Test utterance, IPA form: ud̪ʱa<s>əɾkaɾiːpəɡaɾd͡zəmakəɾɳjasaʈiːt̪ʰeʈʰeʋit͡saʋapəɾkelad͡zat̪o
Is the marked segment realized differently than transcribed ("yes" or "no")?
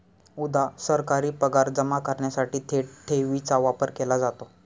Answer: no